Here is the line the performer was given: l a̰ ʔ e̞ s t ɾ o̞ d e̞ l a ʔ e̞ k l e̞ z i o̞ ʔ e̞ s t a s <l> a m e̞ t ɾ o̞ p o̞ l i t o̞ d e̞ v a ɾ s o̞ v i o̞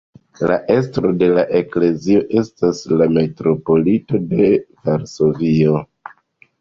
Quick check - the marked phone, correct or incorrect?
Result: correct